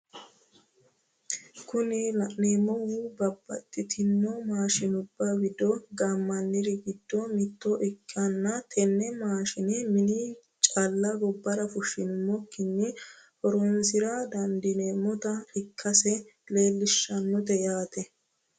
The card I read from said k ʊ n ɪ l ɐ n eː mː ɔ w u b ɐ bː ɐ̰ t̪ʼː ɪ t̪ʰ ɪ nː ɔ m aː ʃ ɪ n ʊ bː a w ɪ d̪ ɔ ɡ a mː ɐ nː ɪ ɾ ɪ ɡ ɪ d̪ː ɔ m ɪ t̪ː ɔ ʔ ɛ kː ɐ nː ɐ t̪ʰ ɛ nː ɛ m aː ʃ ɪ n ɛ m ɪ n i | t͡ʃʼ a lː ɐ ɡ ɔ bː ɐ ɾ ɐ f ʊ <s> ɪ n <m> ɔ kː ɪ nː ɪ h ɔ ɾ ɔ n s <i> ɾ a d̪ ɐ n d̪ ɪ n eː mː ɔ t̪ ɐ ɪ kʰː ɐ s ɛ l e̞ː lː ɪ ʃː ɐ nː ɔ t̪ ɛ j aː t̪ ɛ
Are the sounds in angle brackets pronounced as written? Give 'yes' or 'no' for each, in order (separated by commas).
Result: no, yes, no